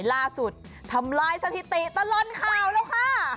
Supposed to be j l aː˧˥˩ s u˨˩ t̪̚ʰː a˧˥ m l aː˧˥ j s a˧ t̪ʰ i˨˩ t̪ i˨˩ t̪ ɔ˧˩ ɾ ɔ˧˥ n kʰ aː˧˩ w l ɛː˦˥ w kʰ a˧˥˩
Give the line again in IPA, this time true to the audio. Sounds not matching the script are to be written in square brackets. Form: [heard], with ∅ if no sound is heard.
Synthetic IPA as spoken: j l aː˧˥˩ s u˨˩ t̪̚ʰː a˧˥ m l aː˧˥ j s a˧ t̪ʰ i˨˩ t̪ i˨˩ t̪ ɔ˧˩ [l] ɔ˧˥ n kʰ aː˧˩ w l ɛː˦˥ w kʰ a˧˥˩